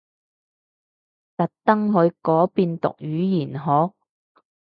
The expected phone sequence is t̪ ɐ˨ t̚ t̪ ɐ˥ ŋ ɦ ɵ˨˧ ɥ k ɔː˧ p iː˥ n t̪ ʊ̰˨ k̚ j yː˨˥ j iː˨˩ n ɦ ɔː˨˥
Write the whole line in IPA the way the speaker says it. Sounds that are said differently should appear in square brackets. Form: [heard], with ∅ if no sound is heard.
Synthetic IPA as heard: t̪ ɐ˨ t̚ t̪ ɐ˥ ŋ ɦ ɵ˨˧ ɥ k [ɔː˨˥] p [iː˧] n t̪ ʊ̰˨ k̚ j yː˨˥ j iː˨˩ n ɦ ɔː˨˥